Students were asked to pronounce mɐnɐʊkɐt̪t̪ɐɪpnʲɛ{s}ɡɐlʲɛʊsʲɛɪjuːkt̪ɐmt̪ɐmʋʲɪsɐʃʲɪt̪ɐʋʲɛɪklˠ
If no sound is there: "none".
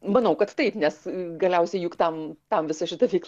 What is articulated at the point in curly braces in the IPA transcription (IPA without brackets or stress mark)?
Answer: s